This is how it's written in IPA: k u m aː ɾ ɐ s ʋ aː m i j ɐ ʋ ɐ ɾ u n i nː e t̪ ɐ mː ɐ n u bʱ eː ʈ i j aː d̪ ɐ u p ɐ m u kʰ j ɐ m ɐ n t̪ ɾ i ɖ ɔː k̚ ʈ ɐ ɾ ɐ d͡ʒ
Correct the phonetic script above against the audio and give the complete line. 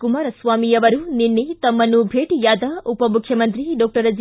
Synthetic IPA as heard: k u m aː ɾ ɐ s ʋ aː m i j ɐ ʋ ɐ ɾ u n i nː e t̪ ɐ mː ɐ n u bʱ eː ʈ i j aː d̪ ɐ u p ɐ m u kʰ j ɐ m ɐ n t̪ ɾ i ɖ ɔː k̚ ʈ ɐ ɾ ɐ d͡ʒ